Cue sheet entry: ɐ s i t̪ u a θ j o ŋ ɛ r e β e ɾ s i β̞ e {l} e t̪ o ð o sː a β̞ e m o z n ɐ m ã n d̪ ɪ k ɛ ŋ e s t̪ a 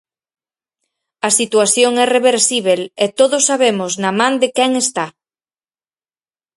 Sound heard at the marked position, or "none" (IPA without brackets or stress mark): l